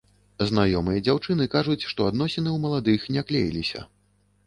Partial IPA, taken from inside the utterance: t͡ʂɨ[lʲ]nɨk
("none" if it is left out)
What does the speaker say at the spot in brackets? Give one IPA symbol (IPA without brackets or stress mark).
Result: none